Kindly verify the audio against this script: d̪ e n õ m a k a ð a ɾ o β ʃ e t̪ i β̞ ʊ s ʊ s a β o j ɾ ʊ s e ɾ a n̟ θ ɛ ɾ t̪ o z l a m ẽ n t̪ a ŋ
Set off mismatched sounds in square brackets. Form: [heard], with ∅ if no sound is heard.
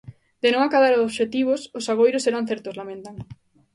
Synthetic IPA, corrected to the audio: d̪ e n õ [ŋ] a k a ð a ɾ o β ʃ e t̪ i β̞ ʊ s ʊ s a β o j ɾ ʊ s e ɾ a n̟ θ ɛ ɾ t̪ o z l a m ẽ n t̪ a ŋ